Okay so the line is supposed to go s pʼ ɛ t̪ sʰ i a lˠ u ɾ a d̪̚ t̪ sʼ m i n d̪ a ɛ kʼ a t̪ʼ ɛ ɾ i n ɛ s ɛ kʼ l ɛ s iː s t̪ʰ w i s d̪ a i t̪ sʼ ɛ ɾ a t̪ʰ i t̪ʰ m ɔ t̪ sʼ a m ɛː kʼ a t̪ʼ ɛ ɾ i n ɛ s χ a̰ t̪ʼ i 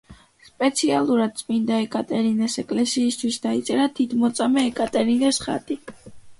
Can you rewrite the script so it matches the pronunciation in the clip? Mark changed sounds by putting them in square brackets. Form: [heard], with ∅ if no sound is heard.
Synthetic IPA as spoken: s pʼ ɛ t̪ sʰ i a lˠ u ɾ a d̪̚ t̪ sʼ m i n d̪ a ɛ kʼ a t̪ʼ ɛ ɾ i n ɛ s ɛ kʼ l ɛ s iː s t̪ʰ w i s d̪ a i t̪ sʼ ɛ ɾ a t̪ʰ i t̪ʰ m ɔ t̪ sʼ a m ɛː kʼ a t̪ʼ ɛ ɾ i n ɛ s χ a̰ t̪ʼ i